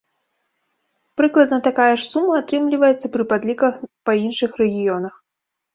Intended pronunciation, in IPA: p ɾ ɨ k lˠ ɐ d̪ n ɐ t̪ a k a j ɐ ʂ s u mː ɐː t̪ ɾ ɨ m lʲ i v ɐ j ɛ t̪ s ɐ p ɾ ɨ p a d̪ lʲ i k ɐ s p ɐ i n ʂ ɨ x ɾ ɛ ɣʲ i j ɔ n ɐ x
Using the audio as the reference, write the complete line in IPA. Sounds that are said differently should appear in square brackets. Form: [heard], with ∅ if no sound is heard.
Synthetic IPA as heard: p ɾ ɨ k lˠ ɐ d̪ n ɐ t̪ a k a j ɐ ʂ s u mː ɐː t̪ ɾ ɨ m lʲ i v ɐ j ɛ t̪ s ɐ p ɾ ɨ p a d̪ lʲ i k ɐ [x] p ɐ i n ʂ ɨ x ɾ ɛ ɣʲ i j ɔ n ɐ x